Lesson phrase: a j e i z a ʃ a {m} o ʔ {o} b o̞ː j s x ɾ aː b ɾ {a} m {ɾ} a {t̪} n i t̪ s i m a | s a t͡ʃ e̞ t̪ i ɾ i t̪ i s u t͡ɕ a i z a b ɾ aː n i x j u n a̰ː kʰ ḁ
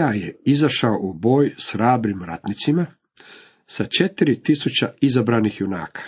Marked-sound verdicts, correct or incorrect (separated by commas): incorrect, incorrect, incorrect, correct, correct